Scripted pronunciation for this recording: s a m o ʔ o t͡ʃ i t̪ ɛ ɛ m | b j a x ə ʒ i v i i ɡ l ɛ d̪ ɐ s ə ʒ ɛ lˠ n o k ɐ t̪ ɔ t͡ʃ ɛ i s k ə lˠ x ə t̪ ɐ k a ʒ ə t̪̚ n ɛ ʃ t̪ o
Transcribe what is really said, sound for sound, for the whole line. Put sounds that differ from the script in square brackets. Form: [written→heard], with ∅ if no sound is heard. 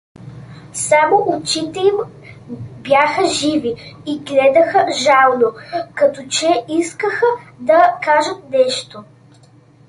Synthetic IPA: s a m o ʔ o t͡ʃ i t̪ ɛ [ɛ→i] m | b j a x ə ʒ i v i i ɡ l ɛ d̪ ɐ [s→x] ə ʒ [ɛ→a] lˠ n o k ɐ t̪ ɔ t͡ʃ ɛ i s k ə [lˠ→∅] x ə [t̪→d̪] ɐ k a ʒ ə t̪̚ n ɛ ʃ t̪ o